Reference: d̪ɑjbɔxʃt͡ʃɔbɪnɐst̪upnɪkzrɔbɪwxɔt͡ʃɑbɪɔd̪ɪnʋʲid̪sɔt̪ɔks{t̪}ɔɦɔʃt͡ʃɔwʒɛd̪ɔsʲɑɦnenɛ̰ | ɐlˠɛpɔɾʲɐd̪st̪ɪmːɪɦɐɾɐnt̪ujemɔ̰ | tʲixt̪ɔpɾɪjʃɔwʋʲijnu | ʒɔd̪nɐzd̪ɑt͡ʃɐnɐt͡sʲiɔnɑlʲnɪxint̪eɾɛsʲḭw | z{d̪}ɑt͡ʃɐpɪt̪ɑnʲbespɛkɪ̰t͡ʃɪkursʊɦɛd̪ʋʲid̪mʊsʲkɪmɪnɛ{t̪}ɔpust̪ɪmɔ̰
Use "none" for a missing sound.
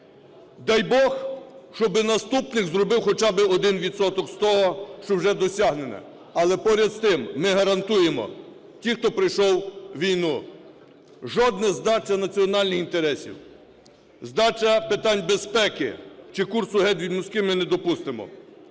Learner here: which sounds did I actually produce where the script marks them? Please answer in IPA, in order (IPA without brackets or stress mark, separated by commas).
t̪, d̪, d̪